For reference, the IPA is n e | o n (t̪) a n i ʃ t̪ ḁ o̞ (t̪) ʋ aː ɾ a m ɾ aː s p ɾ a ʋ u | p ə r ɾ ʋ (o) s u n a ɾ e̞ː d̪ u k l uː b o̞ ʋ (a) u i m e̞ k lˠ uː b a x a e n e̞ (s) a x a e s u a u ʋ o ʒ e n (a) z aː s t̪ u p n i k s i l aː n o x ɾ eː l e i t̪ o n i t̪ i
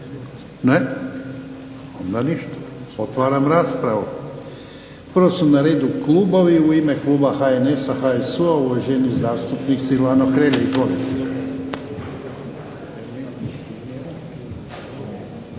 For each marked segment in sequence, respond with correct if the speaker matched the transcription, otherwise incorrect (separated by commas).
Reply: incorrect, correct, correct, incorrect, correct, incorrect